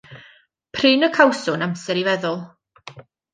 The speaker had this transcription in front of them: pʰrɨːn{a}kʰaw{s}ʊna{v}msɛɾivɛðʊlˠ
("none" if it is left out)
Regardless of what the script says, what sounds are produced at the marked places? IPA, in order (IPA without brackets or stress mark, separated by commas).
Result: ə, s, none